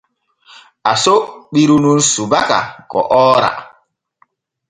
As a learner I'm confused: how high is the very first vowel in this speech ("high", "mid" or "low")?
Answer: low